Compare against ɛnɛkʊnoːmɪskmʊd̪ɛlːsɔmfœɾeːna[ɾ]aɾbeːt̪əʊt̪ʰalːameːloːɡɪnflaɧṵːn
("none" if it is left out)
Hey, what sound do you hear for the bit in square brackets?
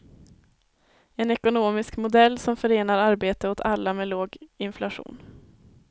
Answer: ɾ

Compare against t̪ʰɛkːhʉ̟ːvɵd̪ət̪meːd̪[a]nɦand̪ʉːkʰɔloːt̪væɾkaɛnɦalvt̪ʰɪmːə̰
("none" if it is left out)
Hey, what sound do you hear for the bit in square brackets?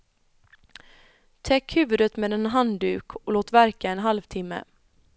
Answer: ɛ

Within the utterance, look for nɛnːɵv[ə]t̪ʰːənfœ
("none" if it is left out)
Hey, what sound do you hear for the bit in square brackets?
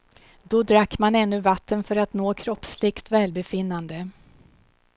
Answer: a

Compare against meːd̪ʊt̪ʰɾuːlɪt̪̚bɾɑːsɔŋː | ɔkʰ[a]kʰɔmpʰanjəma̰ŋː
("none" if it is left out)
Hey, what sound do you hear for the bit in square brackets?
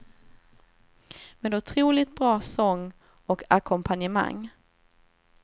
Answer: a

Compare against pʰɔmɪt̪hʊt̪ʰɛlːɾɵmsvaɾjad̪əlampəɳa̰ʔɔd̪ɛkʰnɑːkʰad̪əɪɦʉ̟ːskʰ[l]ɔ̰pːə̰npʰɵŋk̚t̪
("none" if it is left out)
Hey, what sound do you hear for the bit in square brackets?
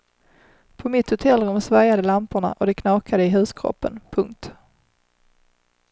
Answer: ɾ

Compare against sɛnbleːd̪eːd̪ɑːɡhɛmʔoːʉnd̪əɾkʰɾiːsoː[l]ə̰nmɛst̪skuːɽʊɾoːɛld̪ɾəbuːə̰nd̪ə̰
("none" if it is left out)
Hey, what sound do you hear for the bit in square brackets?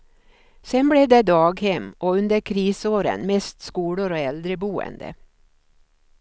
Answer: ɾ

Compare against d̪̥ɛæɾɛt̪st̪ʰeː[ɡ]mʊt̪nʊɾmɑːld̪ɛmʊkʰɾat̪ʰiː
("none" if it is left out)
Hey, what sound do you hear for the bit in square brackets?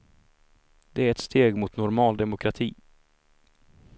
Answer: ɡ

